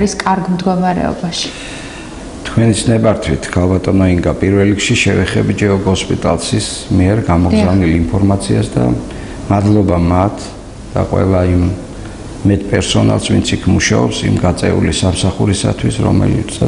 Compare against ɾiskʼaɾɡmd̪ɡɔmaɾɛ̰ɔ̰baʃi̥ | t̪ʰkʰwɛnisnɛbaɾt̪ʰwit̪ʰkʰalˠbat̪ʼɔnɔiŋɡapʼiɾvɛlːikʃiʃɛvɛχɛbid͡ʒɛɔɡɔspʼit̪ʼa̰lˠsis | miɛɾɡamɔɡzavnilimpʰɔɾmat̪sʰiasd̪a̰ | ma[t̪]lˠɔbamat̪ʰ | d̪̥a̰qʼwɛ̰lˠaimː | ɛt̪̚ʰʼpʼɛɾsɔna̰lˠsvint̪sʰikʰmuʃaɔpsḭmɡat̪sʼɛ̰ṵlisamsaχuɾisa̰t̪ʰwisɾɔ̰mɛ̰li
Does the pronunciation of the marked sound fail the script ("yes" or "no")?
yes